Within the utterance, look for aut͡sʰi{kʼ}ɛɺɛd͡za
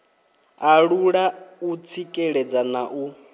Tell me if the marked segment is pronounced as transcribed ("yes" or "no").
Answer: yes